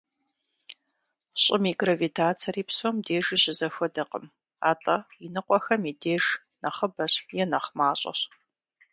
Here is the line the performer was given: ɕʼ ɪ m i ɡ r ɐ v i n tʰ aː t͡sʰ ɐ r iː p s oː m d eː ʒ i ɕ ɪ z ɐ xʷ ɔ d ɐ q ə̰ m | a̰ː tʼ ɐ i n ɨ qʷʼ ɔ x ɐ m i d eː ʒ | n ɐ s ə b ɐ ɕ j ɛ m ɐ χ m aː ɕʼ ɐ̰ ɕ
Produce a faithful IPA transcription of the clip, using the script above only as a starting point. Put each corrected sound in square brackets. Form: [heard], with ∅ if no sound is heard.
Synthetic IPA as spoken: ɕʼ ɪ m i ɡ r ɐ v i [∅] tʰ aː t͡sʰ ɐ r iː p s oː m d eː ʒ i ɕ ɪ z ɐ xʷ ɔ d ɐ q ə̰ m | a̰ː tʼ ɐ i n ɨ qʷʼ ɔ x ɐ m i d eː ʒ | n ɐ [χ] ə b ɐ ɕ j ɛ [n] ɐ χ m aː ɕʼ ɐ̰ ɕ